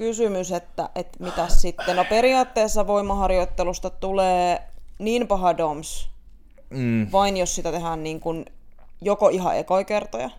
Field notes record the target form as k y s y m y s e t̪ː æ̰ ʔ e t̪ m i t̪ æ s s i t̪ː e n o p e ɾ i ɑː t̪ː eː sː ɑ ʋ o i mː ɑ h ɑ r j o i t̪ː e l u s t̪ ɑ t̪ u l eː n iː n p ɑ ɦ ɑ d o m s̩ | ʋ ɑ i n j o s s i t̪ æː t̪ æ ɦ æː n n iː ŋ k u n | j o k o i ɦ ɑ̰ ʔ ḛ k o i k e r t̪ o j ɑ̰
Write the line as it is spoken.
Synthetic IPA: k y s y m y s e t̪ː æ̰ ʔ e t̪ m i t̪ æ s s i t̪ː e n o p e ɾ i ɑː t̪ː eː sː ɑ ʋ o i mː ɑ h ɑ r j o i t̪ː e l u s t̪ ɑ t̪ u l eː n iː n p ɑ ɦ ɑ d o m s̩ | ʋ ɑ i n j o s s i t̪ æ t̪ e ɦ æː n n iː ŋ k u n | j o k o i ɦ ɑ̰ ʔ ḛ k o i k e r t̪ o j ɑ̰